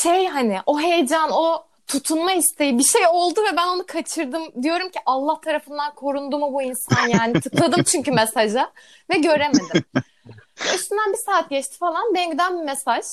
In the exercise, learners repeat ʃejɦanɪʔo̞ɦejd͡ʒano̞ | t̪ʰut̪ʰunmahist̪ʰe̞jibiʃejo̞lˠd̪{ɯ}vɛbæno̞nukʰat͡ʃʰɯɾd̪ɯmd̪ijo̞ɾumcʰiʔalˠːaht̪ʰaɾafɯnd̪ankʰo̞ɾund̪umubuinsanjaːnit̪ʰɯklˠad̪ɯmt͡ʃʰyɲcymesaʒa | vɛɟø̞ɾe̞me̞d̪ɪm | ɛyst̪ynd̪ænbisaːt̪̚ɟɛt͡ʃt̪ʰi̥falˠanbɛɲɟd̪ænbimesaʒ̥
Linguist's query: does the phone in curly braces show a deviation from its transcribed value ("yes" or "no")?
yes